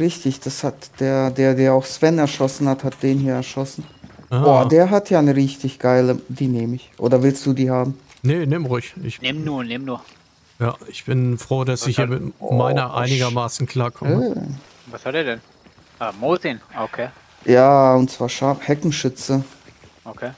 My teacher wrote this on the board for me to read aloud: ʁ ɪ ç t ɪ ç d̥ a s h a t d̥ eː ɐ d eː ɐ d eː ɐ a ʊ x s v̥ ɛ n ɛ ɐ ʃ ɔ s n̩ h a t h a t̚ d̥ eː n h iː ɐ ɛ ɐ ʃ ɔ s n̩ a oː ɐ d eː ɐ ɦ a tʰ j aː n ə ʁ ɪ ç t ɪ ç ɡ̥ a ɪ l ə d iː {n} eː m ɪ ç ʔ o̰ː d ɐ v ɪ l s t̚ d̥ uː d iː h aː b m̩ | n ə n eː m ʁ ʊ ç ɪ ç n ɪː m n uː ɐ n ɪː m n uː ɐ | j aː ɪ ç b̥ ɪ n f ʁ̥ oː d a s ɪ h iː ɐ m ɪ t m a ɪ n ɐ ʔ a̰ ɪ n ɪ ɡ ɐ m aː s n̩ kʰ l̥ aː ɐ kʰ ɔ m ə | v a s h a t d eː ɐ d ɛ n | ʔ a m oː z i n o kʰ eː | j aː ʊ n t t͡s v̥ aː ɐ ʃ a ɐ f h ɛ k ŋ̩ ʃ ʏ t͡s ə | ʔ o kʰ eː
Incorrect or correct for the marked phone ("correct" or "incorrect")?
correct